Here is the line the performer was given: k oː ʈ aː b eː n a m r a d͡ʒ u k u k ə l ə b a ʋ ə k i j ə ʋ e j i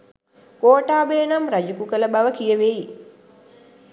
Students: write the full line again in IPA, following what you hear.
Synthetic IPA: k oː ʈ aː b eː n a m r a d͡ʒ u k u k ə l ə b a ʋ ə k i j ə ʋ e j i